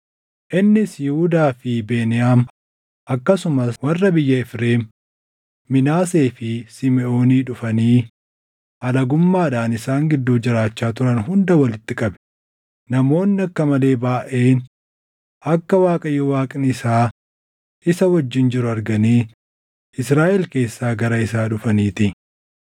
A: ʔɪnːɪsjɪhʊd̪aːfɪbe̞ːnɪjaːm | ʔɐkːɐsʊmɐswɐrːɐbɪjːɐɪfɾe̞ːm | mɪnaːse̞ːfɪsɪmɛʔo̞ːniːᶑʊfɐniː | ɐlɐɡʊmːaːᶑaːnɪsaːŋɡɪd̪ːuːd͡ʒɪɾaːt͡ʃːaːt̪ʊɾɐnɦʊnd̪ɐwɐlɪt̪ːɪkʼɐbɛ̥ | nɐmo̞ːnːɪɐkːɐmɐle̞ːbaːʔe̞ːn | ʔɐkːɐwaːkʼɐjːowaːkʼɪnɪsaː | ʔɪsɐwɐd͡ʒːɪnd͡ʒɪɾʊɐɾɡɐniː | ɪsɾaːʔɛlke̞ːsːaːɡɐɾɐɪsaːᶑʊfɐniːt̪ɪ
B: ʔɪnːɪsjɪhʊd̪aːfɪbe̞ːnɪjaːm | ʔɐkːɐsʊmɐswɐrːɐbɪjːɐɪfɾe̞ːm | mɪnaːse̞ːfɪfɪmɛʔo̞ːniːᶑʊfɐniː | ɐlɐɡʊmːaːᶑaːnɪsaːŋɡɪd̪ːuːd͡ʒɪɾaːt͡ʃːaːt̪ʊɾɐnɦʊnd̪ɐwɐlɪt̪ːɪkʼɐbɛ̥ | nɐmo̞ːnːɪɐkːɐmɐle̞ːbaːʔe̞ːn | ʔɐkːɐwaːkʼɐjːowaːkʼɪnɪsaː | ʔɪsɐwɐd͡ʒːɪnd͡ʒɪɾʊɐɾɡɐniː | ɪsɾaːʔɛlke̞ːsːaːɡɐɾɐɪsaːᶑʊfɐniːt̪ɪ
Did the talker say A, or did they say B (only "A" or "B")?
A